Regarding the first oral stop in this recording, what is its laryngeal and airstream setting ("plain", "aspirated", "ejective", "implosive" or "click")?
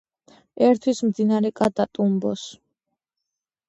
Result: aspirated